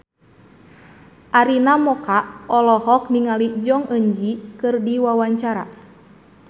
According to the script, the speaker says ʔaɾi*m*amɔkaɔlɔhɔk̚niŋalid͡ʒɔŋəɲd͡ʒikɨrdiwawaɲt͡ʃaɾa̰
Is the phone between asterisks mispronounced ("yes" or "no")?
yes